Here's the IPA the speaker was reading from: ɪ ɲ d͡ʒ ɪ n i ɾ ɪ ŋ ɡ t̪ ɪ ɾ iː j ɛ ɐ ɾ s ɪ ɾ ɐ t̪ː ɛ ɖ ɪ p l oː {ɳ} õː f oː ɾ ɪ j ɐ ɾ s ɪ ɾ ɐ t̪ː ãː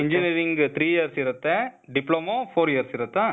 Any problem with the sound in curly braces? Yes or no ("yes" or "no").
yes